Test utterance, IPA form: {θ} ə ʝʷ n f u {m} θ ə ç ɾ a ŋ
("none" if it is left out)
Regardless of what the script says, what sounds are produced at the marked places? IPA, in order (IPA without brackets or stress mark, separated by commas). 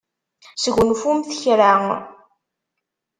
s, m